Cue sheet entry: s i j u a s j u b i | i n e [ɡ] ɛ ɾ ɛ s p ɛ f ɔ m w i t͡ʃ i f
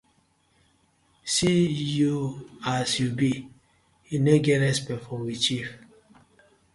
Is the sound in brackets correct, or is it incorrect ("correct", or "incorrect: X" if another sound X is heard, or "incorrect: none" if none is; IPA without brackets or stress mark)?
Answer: correct